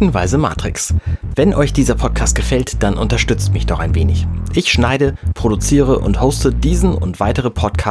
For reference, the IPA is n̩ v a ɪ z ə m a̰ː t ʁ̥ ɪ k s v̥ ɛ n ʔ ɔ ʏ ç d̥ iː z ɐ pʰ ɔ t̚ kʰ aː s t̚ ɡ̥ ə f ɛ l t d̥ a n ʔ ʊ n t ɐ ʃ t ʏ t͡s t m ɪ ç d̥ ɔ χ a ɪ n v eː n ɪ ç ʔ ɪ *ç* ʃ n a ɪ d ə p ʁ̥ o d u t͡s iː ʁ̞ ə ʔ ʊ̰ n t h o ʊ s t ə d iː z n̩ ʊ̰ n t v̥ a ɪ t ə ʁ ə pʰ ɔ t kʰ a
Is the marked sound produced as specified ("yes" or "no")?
yes